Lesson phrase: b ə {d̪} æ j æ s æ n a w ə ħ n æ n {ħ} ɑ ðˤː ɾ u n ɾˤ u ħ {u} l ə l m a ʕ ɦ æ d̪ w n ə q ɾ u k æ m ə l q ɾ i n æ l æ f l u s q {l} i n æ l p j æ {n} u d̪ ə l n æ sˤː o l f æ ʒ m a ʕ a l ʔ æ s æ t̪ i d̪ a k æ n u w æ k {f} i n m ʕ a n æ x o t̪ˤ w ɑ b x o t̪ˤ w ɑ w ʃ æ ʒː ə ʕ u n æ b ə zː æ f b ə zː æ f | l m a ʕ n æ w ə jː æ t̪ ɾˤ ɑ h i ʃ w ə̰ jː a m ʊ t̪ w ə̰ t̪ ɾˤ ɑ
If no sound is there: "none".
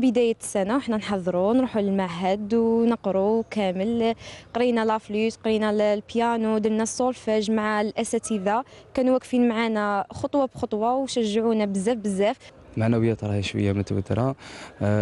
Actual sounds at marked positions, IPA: d̪, ħ, u, ɾ, n, f

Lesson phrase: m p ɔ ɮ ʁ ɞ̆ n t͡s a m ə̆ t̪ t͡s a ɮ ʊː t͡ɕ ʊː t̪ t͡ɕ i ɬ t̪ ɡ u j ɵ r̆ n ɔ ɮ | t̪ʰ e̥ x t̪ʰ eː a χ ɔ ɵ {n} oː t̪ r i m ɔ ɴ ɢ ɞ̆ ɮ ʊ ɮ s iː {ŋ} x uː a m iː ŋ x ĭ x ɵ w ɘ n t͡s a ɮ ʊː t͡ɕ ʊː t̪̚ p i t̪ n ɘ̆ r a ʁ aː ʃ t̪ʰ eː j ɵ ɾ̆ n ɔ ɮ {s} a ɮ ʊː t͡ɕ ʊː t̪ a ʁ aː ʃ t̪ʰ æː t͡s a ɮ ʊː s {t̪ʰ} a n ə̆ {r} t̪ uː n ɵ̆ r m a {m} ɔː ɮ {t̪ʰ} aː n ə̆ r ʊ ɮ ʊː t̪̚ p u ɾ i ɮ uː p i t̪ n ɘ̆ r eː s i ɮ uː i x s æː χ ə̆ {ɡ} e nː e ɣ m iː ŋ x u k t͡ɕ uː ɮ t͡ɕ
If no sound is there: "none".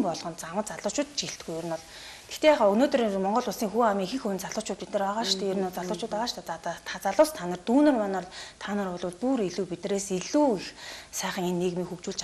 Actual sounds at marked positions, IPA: n, ŋ, t͡s, t̪ʰ, r, n, t̪ʰ, ŋ

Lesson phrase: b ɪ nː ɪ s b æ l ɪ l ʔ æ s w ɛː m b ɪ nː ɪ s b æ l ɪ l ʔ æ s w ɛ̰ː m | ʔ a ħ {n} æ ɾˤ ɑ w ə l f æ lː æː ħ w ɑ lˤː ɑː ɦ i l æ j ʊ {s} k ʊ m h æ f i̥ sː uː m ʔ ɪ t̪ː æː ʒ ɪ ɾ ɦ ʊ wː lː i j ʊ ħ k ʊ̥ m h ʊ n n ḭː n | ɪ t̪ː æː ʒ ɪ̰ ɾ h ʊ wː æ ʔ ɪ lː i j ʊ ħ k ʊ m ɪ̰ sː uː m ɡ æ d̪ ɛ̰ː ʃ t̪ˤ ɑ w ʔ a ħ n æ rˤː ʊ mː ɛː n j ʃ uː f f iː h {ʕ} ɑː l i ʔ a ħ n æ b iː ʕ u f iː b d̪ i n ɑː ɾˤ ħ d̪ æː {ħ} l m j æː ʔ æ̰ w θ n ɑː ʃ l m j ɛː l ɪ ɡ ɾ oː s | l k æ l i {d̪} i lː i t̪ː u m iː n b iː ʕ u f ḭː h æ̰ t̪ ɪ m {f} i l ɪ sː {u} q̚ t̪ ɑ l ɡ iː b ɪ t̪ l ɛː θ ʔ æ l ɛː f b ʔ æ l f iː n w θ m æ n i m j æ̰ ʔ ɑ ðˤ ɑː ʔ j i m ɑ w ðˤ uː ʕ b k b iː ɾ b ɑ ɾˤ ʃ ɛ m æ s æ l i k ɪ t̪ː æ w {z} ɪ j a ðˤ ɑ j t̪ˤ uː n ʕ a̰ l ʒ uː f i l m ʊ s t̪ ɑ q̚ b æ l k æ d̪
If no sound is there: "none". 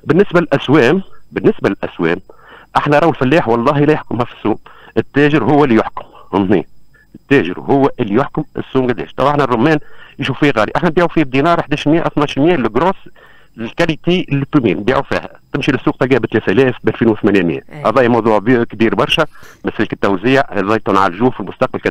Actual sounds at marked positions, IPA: n, ħ, ɣ, ʃ, t̪, ʃ, uː, z

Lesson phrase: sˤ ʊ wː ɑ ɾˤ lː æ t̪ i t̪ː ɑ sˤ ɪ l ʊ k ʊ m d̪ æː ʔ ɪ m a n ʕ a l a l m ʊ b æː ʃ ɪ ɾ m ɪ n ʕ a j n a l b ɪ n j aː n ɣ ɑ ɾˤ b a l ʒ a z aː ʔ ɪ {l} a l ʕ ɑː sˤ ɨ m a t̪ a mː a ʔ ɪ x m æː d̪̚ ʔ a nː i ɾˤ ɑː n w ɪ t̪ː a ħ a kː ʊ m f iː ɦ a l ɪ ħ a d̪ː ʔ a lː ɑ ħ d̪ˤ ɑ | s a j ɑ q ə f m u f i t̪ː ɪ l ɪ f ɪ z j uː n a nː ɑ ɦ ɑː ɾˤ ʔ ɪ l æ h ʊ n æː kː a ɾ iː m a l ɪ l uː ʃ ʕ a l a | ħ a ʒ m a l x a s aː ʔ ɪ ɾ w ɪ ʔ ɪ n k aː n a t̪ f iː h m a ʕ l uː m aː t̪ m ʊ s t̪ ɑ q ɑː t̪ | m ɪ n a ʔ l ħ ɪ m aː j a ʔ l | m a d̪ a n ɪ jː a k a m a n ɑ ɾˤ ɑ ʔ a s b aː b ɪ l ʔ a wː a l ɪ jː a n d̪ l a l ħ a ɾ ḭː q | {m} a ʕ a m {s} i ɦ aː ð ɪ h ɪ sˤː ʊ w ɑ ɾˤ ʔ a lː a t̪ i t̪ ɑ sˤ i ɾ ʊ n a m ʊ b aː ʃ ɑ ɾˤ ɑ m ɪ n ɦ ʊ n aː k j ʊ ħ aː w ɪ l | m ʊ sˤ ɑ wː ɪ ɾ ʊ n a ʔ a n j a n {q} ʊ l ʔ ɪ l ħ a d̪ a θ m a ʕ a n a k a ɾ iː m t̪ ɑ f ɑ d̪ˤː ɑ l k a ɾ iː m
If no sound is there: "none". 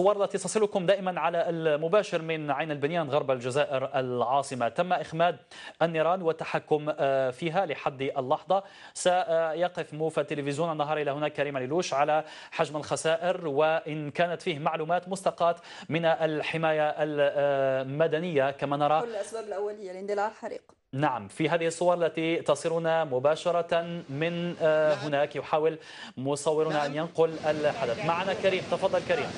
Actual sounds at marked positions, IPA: ɾ, n, f, q

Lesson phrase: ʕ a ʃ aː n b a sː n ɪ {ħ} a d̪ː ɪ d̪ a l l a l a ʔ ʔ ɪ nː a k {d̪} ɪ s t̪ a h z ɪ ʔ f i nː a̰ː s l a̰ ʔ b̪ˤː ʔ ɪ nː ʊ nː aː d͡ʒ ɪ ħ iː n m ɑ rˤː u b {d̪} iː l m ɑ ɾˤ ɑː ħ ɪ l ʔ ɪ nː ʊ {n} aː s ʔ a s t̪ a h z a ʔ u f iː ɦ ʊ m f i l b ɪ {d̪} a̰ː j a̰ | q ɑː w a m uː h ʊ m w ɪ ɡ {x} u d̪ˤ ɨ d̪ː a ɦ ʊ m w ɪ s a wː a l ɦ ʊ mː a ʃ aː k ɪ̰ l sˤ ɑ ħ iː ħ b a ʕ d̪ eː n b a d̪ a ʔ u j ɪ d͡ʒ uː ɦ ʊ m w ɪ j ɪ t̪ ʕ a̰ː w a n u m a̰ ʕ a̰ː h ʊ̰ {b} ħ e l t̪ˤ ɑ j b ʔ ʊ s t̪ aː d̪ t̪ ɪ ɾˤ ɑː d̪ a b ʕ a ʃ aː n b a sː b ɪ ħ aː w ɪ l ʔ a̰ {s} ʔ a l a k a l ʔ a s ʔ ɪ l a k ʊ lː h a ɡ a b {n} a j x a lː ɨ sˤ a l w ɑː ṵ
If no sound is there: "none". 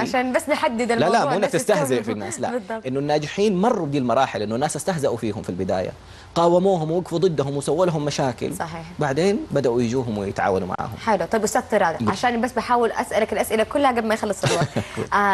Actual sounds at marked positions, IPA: ħ, t̪, d̪, nː, d̪, f, m, s, m

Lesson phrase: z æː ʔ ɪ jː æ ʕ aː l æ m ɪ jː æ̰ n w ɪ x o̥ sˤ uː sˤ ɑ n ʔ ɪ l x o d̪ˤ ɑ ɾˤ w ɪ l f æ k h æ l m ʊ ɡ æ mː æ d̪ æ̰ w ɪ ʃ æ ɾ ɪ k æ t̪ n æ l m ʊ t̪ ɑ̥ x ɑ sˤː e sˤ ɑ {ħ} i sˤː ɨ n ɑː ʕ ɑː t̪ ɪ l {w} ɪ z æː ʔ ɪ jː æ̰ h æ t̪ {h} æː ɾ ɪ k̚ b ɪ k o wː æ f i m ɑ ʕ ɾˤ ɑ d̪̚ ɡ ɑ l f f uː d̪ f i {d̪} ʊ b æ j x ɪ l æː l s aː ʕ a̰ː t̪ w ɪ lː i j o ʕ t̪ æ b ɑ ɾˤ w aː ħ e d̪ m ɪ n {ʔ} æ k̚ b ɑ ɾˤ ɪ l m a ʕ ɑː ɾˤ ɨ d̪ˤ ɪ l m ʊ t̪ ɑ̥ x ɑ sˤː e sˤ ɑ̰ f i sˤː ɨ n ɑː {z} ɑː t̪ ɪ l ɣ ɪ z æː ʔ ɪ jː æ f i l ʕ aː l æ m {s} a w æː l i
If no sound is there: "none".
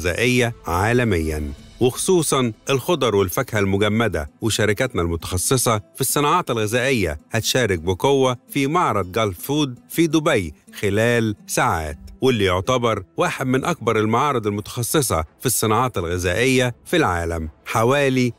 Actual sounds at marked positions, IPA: f, ɣ, ʃ, d̪, ʔ, ʕ, ħ

